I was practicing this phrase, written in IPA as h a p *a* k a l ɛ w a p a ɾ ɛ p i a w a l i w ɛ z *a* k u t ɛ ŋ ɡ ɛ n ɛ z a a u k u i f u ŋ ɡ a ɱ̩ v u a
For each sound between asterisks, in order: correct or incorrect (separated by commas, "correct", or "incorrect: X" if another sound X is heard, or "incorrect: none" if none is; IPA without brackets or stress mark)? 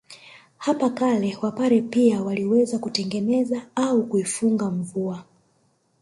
correct, correct